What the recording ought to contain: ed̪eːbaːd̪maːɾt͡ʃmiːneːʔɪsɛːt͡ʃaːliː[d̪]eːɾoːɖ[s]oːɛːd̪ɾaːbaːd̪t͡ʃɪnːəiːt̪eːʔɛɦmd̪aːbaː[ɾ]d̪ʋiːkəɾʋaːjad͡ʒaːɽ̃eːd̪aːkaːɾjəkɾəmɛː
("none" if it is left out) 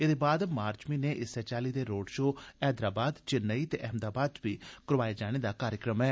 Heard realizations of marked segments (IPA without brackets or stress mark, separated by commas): d̪, ʃ, none